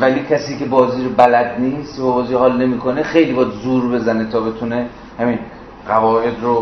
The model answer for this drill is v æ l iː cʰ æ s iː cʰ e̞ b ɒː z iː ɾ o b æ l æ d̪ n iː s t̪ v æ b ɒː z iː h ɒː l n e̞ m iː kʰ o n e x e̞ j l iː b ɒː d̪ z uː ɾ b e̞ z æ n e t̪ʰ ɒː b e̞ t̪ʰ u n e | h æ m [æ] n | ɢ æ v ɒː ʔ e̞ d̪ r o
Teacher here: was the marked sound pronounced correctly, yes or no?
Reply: no